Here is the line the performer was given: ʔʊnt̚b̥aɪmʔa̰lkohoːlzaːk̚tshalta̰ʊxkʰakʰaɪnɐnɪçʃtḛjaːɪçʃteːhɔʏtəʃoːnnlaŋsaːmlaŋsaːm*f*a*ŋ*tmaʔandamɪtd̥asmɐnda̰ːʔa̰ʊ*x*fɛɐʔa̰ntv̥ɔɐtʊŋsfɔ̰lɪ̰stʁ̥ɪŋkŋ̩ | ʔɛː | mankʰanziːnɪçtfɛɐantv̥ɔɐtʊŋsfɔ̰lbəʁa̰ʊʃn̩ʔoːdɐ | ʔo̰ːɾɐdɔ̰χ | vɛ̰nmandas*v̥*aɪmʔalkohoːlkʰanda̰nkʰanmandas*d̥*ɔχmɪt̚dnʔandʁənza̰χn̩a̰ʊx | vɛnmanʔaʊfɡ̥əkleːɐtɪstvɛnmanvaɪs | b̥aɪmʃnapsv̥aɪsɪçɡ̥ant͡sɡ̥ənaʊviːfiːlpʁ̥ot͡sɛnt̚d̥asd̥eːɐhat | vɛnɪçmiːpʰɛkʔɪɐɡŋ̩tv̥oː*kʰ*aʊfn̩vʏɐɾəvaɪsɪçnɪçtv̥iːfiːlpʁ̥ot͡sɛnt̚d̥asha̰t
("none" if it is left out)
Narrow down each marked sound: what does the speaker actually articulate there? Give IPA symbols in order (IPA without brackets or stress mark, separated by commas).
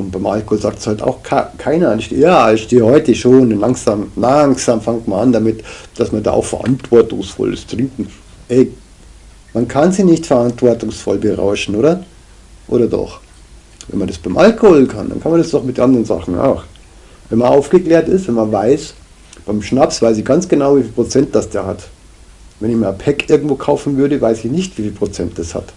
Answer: f, ŋ, x, b̥, d̥, kʰ